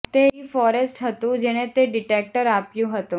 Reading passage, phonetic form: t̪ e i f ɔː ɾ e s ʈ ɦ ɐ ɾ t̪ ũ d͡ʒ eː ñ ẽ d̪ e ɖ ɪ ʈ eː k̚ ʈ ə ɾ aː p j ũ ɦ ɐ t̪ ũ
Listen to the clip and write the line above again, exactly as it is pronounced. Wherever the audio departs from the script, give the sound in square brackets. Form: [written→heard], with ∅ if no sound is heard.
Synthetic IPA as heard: t̪ e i f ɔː ɾ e s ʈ ɦ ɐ [ɾ→∅] t̪ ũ d͡ʒ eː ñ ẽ [d̪→t̪] e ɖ ɪ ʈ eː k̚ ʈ ə ɾ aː p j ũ ɦ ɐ t̪ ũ

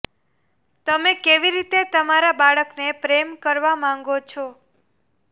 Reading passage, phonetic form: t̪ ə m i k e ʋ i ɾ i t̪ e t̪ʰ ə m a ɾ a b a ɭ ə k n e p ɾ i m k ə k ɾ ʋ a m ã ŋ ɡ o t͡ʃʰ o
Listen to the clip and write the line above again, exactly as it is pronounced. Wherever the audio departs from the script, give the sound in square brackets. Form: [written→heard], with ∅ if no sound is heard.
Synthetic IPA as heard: t̪ ə m [i→e] k e ʋ i ɾ i t̪ e [t̪ʰ→t̪] ə m a ɾ a b a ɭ ə k n e p ɾ [i→e] m k ə [k→∅] ɾ ʋ a m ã ŋ ɡ o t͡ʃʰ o

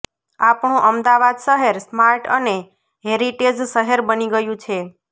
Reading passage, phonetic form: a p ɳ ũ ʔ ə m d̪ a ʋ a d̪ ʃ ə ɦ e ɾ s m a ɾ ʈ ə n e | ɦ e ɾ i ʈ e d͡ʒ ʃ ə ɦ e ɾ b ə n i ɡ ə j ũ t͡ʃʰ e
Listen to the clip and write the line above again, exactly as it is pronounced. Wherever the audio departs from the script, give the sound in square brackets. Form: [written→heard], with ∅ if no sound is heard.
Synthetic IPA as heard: a p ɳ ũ ʔ ə m d̪ a ʋ a d̪ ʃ ə ɦ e ɾ s m a ɾ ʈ ə n e | ɦ e ɾ i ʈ e d͡ʒ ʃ ə ɦ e ɾ b ə n i ɡ ə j ũ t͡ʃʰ e

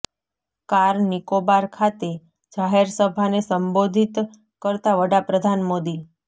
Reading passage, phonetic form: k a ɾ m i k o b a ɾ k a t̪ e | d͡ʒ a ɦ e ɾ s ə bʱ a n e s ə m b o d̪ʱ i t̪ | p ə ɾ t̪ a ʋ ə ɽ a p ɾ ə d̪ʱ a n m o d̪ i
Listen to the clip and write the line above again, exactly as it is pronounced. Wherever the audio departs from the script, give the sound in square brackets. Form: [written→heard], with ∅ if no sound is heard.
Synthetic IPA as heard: k a ɾ [m→n] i k o b a ɾ [k→kʰ] a t̪ e | d͡ʒ a ɦ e ɾ s ə bʱ a n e s ə m b o d̪ʱ i t̪ | [p→k] ə ɾ t̪ a ʋ ə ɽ a p ɾ ə d̪ʱ a n m o d̪ i

